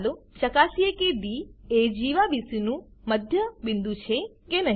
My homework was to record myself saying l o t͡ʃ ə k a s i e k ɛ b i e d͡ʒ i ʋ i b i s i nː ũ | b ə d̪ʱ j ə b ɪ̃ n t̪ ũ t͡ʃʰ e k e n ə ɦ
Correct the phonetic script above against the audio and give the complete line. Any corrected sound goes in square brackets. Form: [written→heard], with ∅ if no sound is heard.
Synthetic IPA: l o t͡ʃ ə k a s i e k [ɛ→e] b i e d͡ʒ i ʋ [i→a] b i s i [nː→n] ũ | [b→m] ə d̪ʱ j ə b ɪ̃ n [t̪→d̪] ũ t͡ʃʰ e k e n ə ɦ